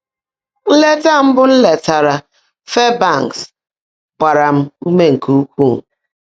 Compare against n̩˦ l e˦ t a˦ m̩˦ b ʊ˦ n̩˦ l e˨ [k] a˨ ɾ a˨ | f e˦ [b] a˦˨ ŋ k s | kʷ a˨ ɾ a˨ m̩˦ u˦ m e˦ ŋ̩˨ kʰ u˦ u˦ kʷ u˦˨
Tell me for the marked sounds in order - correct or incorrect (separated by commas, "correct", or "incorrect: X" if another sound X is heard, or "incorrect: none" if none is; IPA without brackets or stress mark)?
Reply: incorrect: t, correct